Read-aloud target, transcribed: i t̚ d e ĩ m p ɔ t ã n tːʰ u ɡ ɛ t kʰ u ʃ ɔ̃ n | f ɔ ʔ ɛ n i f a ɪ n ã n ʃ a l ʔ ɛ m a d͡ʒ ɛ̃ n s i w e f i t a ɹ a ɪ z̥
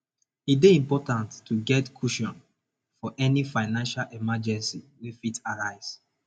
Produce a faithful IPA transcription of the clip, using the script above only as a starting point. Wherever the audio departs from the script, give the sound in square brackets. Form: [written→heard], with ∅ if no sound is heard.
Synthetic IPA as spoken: i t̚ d e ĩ m p ɔ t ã n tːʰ u ɡ ɛ t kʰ u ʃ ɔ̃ n | f ɔ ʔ ɛ n i f a ɪ n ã n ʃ a l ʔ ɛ m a d͡ʒ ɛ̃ n s i w e f i t a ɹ a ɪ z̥